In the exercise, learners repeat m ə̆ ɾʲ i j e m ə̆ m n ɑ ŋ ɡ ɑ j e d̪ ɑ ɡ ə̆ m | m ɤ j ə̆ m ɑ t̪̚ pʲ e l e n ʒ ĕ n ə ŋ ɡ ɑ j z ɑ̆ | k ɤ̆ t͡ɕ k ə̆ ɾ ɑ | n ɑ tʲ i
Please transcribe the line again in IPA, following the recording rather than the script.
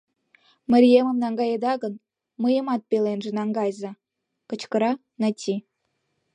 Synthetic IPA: m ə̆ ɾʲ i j e m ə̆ m n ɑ ŋ ɡ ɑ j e d̪ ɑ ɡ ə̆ n | m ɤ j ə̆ m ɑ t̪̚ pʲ e l e n ʒ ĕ n ɑ ŋ ɡ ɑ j z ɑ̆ | k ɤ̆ t͡ɕ k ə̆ ɾ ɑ | n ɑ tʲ i